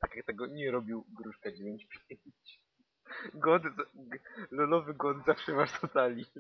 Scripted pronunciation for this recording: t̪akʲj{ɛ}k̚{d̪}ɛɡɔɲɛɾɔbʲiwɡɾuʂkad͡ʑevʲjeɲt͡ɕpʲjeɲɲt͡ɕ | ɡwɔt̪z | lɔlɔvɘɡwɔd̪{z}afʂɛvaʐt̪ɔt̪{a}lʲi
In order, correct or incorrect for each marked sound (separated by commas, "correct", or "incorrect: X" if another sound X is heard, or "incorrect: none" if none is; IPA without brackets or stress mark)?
incorrect: a, incorrect: t̪, correct, correct